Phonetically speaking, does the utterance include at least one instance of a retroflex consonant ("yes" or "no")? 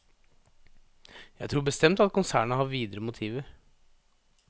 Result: yes